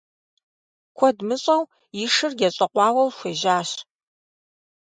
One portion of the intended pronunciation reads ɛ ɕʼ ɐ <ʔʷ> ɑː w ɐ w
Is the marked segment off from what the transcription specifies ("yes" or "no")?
yes